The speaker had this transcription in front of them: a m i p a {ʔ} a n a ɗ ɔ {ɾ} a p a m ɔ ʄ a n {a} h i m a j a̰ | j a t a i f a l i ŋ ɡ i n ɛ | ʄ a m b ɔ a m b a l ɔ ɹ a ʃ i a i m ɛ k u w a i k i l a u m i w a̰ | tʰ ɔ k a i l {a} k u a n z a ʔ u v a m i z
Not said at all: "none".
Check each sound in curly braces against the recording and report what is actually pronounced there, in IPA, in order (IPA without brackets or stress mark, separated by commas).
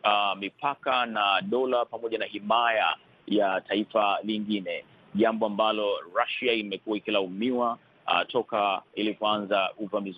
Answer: k, l, a, i